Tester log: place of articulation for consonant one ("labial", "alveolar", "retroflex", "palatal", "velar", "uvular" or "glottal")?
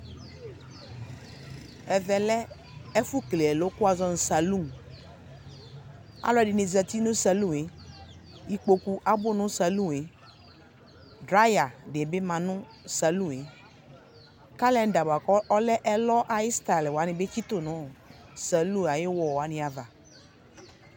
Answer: labial